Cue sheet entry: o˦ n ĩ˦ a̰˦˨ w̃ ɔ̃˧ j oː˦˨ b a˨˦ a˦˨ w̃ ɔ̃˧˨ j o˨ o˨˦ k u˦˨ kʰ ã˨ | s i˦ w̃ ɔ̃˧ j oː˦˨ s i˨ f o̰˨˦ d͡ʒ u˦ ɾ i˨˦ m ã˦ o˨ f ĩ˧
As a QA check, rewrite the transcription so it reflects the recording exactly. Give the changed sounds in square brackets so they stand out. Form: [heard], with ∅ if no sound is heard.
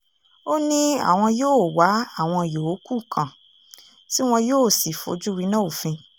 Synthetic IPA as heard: o˦ n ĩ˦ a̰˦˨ w̃ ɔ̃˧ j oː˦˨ [w] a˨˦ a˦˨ w̃ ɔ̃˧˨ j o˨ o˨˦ k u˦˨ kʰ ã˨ | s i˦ w̃ ɔ̃˧ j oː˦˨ s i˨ f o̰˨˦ d͡ʒ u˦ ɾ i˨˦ [n] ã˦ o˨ f ĩ˧